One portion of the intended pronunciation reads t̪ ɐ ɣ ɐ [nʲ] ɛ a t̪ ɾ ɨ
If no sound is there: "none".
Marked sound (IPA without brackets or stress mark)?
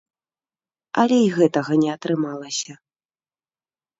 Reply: nʲ